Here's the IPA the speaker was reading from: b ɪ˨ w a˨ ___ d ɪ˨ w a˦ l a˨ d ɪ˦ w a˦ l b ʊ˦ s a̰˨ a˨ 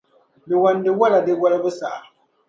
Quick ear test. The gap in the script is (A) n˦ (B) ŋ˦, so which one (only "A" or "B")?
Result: A